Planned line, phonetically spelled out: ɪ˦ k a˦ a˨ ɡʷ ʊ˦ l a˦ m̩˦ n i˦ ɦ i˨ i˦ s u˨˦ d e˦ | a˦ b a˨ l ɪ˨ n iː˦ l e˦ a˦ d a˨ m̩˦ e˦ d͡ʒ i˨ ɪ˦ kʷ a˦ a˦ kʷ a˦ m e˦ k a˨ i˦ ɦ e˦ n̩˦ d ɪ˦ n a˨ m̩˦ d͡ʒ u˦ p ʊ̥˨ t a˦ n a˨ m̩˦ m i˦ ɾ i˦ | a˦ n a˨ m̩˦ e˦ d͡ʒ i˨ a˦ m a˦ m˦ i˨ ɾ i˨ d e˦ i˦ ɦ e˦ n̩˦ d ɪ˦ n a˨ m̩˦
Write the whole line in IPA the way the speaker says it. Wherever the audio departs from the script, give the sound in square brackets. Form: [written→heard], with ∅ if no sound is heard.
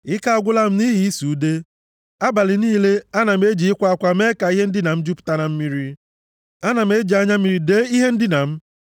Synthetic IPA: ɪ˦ k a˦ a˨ ɡʷ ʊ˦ l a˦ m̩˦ n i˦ ɦ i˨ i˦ s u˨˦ d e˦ | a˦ b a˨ l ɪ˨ n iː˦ l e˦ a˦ [d→n] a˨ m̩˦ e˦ d͡ʒ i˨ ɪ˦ kʷ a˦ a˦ kʷ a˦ m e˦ k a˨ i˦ ɦ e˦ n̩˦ d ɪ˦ n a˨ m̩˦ d͡ʒ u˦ p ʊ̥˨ t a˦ n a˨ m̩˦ m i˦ ɾ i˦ | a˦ n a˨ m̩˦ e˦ d͡ʒ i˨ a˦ [m→ɲ] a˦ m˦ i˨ ɾ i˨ d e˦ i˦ ɦ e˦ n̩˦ d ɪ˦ n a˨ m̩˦